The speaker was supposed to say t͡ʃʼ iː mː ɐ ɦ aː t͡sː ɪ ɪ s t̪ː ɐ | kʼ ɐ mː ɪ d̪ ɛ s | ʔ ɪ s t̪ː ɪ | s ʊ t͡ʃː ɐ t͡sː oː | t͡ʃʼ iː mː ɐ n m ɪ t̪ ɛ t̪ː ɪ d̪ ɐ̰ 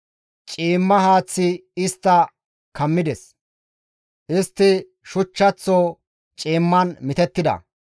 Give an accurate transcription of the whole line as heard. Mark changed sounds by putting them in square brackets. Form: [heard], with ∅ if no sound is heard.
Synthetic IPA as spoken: t͡ʃʼ iː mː ɐ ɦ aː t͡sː ɪ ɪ s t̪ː ɐ | [k] ɐ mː ɪ d̪ ɛ s | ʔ ɪ s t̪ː ɪ | [ʃ] ʊ t͡ʃː ɐ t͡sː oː | t͡ʃʼ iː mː ɐ n m ɪ t̪ ɛ t̪ː ɪ d̪ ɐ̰

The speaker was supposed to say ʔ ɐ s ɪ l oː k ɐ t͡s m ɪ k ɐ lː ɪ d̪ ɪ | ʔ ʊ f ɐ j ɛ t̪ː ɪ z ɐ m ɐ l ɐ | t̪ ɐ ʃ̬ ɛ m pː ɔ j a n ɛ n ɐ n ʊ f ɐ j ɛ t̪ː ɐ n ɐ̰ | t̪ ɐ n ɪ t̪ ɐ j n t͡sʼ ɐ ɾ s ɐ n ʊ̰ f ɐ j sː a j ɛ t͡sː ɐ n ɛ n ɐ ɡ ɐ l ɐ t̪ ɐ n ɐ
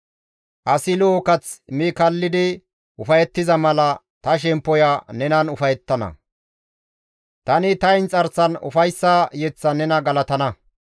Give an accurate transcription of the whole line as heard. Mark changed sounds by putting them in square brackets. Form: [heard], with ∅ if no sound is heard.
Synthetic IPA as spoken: ʔ ɐ s ɪ l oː k ɐ t͡s m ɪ k ɐ lː ɪ d̪ ɪ | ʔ ʊ f ɐ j ɛ t̪ː ɪ z ɐ m ɐ l ɐ | t̪ ɐ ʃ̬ ɛ m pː ɔ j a n ɛ n ɐ n ʊ f ɐ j ɛ t̪ː ɐ n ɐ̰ | t̪ ɐ n ɪ t̪ ɐ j n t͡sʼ ɐ ɾ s ɐ n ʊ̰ f ɐ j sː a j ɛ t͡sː ɐ n ɛ n ɐ ɡ ɐ l ɐ t̪ ɐ n ɐ

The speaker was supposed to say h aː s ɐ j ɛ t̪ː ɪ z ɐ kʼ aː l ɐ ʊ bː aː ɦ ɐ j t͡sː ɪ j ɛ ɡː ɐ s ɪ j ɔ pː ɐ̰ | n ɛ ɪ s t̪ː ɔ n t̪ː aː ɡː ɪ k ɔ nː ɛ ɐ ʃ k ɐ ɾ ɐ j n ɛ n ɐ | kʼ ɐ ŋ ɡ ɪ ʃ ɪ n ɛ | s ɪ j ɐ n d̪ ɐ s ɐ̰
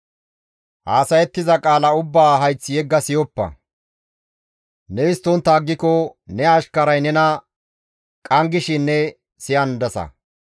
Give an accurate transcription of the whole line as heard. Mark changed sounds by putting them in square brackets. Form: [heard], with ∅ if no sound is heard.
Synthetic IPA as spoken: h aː s ɐ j ɛ t̪ː ɪ z ɐ kʼ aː l ɐ ʊ bː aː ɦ ɐ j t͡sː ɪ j ɛ ɡː ɐ s ɪ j ɔ pː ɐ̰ | n ɛ ɪ s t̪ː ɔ n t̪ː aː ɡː ɪ k ɔ [n] ɛ ɐ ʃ k ɐ ɾ ɐ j n ɛ n ɐ | kʼ ɐ ŋ ɡ ɪ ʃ ɪ [nː] ɛ | s ɪ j ɐ n d̪ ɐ s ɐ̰

